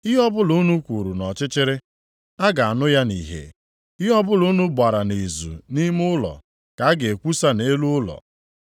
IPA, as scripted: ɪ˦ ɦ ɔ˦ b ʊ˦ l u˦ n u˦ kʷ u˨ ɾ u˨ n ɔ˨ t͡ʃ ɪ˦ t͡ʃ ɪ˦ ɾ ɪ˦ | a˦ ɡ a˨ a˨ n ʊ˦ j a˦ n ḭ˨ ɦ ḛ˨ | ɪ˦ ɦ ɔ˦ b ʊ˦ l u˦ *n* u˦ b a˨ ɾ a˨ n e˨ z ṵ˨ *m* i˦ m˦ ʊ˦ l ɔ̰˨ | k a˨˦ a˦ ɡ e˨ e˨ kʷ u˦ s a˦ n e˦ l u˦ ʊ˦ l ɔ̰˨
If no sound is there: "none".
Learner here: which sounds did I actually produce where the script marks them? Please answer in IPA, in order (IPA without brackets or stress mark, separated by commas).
n, n